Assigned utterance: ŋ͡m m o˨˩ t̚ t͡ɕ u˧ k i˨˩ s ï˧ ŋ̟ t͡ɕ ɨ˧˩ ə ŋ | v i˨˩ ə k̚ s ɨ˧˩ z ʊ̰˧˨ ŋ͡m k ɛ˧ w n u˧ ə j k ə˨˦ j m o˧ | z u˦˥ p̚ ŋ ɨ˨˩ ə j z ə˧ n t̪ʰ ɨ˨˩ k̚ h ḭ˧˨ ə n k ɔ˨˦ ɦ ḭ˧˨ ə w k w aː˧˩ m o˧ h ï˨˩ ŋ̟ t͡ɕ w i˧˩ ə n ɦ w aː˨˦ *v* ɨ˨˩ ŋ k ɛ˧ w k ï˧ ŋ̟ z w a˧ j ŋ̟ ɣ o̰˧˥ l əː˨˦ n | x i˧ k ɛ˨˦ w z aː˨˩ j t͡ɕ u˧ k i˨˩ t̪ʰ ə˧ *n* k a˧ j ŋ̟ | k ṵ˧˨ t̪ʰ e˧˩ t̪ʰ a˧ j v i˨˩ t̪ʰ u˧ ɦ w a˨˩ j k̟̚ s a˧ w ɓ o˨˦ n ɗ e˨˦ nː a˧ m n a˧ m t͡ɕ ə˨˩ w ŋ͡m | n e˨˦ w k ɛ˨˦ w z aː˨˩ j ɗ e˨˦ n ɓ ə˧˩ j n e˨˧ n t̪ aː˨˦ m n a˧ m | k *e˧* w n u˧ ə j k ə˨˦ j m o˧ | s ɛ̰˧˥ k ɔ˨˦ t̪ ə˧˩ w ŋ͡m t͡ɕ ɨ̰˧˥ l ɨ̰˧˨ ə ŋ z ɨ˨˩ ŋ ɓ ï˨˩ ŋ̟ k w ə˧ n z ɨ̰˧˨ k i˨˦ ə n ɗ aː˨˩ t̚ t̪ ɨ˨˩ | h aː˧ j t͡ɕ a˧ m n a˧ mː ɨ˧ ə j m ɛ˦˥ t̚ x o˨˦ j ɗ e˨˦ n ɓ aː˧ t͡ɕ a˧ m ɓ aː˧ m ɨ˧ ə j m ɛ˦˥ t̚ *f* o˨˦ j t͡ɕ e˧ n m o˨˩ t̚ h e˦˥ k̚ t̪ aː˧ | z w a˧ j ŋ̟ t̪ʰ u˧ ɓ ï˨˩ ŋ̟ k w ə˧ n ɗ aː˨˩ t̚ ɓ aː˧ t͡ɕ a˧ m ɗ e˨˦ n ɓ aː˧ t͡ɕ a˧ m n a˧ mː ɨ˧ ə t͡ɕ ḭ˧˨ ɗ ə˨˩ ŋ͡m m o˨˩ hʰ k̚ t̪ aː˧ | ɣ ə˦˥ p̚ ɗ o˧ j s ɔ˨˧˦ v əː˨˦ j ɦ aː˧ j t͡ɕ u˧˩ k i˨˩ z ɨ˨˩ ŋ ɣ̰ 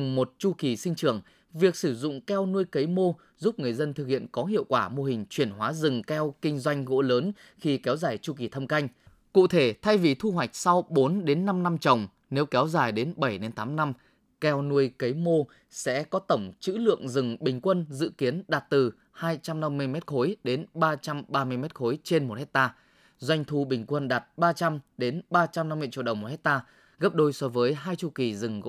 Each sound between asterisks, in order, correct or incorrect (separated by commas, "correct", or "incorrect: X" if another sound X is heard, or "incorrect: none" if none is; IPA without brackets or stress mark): incorrect: z, incorrect: m, incorrect: ɛ˧, incorrect: x